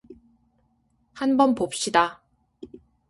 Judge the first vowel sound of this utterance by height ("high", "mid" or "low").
low